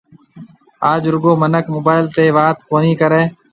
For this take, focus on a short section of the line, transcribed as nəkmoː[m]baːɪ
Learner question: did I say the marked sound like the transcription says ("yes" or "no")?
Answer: no